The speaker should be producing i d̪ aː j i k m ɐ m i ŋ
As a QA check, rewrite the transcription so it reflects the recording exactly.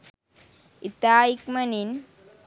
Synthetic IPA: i t̪ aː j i k m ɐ n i n